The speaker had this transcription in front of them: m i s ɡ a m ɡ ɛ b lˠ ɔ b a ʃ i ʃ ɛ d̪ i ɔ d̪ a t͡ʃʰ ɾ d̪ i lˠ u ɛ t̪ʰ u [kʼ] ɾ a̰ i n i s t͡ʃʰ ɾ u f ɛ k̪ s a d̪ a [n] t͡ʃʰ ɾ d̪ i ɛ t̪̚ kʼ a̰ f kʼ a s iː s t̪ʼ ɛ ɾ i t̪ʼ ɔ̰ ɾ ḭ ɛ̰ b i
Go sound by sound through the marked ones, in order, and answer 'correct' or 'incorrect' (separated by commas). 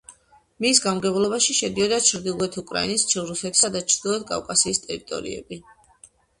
correct, incorrect